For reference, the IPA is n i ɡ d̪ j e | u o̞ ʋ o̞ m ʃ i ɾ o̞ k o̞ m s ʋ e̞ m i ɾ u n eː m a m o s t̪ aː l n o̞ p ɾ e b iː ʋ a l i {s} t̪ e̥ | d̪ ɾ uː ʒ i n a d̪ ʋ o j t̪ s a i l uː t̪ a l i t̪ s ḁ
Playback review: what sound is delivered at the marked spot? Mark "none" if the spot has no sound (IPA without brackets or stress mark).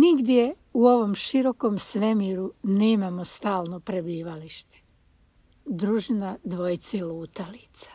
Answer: ʃ